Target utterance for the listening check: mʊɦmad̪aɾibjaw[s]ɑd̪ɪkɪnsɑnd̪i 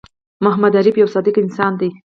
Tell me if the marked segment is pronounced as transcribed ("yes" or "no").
yes